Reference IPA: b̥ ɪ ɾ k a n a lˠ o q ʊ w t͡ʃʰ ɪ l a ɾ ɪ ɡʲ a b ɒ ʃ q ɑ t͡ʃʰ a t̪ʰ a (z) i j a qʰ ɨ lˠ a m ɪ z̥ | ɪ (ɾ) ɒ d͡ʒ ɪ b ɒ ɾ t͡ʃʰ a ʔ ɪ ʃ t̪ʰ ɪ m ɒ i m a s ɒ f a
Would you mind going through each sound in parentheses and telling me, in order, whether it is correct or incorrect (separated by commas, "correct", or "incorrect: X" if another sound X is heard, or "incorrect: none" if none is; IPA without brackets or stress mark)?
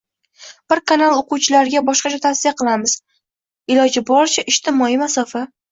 incorrect: s, incorrect: l